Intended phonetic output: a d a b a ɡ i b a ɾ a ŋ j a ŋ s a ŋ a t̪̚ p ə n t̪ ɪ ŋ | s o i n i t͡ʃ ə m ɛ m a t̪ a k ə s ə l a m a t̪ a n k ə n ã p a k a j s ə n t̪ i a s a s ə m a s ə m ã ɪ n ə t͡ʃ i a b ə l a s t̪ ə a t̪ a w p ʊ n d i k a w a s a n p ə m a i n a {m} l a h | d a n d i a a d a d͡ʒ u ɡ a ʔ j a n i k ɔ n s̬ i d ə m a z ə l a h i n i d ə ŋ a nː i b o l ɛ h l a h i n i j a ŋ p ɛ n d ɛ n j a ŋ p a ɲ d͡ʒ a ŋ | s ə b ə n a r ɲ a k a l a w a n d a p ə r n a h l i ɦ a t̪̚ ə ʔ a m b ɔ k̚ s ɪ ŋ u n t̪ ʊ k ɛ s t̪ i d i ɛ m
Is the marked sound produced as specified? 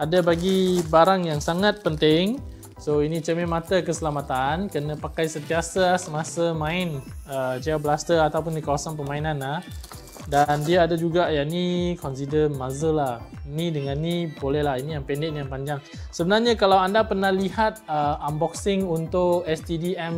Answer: no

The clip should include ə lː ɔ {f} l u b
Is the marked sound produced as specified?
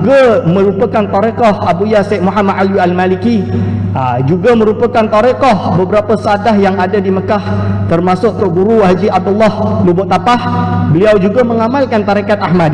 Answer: no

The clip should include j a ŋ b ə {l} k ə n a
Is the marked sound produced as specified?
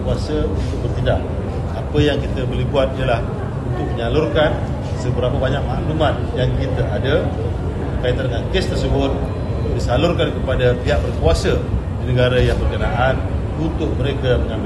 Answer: no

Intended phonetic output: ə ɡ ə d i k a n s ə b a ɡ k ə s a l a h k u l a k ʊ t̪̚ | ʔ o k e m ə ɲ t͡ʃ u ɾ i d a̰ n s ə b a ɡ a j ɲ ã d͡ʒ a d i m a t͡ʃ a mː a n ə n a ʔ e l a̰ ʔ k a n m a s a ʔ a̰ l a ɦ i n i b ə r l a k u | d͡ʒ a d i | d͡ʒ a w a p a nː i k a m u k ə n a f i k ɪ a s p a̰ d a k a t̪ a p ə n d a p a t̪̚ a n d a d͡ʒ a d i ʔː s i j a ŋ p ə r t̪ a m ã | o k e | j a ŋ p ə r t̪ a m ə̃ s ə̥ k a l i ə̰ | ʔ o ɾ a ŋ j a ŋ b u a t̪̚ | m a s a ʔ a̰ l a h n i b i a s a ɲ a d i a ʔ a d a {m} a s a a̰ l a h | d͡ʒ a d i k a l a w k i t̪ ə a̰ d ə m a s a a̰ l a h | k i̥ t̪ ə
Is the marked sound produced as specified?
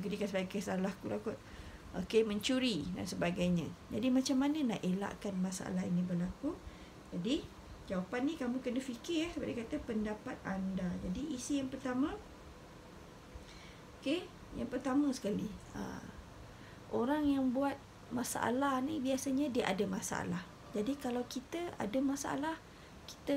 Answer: yes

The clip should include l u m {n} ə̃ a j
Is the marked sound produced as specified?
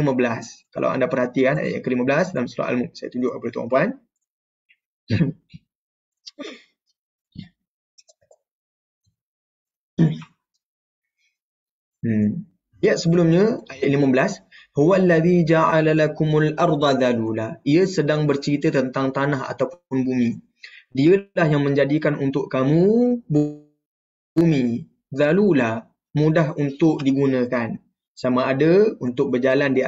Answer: no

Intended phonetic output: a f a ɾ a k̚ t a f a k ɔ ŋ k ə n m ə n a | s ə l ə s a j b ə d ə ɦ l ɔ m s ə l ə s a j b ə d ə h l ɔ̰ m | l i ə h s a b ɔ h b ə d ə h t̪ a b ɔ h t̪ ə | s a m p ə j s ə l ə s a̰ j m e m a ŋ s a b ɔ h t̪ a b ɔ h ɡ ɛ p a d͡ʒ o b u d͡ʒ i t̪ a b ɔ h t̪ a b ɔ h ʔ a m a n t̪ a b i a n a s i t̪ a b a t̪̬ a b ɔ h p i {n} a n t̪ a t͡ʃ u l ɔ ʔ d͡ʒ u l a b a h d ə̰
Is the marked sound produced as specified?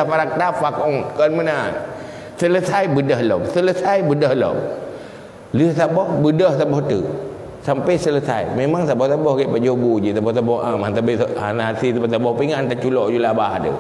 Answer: no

